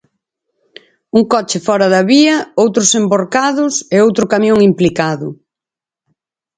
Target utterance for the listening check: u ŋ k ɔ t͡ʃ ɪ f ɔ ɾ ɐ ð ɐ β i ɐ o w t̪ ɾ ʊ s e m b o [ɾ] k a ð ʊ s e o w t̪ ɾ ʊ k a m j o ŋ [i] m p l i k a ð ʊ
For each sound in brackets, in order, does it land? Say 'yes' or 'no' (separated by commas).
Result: yes, yes